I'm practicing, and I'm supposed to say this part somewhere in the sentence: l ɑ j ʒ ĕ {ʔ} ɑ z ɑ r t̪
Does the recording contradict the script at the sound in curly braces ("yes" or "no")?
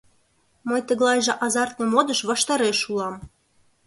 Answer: no